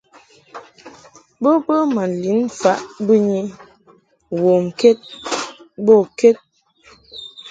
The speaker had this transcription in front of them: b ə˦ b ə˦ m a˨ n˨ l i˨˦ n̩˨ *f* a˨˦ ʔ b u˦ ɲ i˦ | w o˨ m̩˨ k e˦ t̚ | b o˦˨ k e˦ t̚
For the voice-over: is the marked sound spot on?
yes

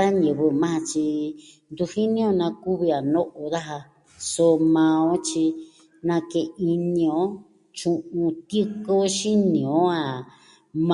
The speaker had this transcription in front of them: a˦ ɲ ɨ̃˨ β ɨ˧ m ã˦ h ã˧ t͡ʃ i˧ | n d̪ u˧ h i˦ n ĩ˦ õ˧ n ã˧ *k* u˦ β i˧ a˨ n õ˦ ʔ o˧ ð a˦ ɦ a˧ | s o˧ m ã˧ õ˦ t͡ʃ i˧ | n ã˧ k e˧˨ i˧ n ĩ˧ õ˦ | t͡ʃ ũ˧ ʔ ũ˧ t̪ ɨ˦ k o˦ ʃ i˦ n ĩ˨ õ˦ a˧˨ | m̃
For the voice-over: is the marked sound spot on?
yes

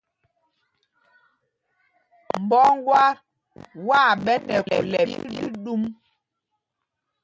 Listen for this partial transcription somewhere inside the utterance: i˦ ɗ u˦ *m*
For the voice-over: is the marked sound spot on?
yes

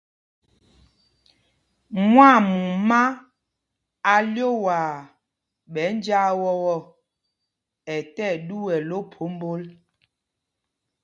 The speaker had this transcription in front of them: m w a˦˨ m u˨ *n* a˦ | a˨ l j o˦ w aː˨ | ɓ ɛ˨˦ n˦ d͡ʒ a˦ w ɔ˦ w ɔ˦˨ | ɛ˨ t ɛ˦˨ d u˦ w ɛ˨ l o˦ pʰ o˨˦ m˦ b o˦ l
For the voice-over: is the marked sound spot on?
no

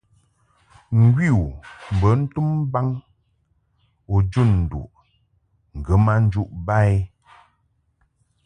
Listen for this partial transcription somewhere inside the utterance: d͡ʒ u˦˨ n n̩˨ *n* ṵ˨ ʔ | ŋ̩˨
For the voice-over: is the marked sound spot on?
no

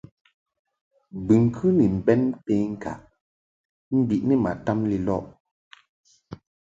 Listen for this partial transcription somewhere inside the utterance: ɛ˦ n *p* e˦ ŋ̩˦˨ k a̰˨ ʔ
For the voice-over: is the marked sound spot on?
yes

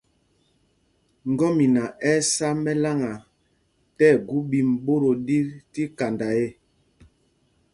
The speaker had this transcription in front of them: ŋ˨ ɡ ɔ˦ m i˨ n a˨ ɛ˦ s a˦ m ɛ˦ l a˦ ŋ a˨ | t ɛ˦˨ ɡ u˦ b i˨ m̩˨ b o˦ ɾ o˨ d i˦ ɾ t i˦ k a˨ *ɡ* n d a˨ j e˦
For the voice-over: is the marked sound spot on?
no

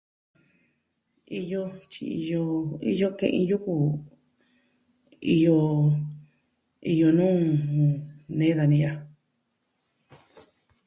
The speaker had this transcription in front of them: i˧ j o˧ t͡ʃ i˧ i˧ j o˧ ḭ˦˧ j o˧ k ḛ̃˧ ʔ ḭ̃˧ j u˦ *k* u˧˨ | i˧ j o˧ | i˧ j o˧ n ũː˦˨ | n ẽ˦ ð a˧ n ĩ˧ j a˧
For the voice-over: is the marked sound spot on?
yes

